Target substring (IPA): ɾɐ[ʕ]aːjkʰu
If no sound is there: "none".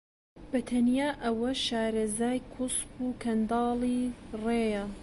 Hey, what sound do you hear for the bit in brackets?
z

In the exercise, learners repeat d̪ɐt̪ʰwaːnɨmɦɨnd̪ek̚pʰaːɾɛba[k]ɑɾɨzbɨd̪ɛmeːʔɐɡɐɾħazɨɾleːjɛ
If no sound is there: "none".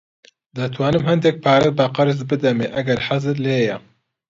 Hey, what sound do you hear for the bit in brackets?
q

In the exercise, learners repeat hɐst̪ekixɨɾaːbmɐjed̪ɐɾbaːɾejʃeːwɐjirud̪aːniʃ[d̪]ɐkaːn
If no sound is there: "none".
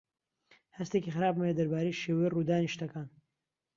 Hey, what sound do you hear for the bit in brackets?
t̪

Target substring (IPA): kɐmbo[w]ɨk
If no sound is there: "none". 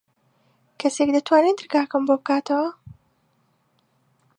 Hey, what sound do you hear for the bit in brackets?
b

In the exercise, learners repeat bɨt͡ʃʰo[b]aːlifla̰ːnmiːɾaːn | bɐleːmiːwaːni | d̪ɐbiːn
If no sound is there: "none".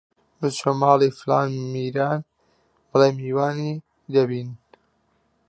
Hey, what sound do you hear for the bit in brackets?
m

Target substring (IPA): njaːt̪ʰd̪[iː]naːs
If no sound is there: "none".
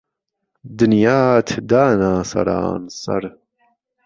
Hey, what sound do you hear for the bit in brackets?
aː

